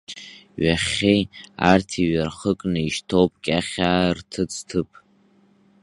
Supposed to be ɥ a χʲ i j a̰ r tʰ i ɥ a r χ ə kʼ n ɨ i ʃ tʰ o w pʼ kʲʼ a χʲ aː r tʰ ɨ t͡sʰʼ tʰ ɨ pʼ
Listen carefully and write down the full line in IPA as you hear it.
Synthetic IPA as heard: ɥ a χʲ e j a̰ r tʰ i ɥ a r χ ə kʼ n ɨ i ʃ tʰ o w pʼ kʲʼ a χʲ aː r tʰ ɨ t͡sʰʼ tʰ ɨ pʼ